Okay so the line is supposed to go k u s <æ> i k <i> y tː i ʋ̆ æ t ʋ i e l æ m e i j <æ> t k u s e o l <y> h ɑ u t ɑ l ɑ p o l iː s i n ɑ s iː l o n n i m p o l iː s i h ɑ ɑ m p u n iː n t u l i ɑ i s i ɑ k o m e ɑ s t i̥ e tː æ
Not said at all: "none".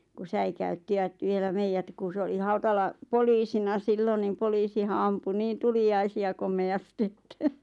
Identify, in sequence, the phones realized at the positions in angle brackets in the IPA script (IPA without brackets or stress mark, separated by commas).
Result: æ, æ, æ, i